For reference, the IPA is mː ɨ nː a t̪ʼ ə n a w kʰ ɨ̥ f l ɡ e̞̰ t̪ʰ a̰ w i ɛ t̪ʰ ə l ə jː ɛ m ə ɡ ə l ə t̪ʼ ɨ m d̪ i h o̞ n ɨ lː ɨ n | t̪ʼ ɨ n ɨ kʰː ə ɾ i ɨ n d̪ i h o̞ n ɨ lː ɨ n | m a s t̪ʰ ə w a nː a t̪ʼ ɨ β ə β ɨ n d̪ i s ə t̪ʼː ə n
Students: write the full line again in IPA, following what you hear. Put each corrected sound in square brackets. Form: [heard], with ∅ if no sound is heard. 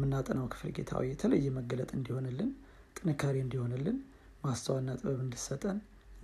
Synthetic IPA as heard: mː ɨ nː a t̪ʼ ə n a w kʰ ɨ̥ f l ɡ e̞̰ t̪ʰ a̰ w i ɛ t̪ʰ ə l ə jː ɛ m ə ɡ ə l ə t̪ʼ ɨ [n] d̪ i h o̞ n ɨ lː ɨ n | t̪ʼ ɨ n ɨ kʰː [a] ɾ i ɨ n d̪ i h o̞ n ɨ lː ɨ n | m a s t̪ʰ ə w a nː a t̪ʼ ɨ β ə β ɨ n d̪ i s ə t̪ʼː ə n